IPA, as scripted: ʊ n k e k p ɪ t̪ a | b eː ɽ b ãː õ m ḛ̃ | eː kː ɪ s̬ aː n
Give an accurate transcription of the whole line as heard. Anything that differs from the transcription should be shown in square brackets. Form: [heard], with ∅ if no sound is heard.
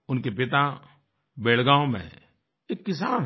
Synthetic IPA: ʊ n k e [∅] p ɪ t̪ a | b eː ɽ [ɡ] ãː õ m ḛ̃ | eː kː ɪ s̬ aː n

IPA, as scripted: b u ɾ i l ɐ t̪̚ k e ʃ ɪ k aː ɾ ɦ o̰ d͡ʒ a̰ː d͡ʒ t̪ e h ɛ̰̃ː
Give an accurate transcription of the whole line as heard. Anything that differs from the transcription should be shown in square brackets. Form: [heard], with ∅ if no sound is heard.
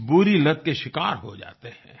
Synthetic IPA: b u ɾ i l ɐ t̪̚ k e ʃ ɪ k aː ɾ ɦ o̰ d͡ʒ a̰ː [∅] t̪ e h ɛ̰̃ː

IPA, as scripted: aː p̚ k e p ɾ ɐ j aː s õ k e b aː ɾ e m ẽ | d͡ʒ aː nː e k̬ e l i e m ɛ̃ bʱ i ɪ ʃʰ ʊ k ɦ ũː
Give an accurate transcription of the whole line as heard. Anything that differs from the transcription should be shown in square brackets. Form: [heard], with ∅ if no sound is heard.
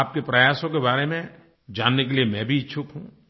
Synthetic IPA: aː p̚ k e p ɾ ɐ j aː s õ k e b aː ɾ e m ẽ | d͡ʒ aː nː e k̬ e l i e m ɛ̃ bʱ i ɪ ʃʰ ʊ k ɦ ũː

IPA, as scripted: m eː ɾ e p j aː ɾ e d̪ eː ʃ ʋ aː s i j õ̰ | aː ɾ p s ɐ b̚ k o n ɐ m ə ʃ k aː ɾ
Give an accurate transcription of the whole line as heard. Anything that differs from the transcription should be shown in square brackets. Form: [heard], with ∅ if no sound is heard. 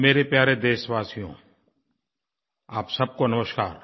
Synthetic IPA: m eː ɾ e p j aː ɾ e d̪ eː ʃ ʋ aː s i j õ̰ | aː [∅] p s ɐ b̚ k o n ɐ m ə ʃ k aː ɾ

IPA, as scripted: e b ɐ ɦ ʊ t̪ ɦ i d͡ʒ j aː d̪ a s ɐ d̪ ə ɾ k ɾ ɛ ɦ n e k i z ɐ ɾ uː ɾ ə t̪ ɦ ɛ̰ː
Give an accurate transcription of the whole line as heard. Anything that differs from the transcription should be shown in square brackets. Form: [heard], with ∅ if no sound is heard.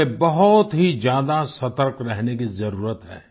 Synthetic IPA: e b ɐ ɦ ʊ t̪ ɦ i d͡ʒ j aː d̪ a s ɐ [t̪] ə ɾ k ɾ ɛ ɦ n e k i z ɐ ɾ uː ɾ ə t̪ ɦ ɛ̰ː

